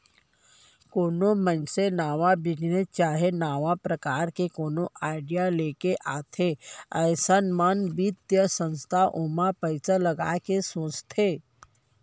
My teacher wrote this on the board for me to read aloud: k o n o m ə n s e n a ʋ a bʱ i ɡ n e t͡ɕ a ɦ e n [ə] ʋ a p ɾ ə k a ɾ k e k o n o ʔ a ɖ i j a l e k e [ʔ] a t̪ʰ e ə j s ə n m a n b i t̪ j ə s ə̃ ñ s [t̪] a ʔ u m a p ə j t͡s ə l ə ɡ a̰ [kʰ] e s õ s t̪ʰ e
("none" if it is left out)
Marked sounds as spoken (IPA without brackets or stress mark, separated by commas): a, ʔ, t̪ʰ, k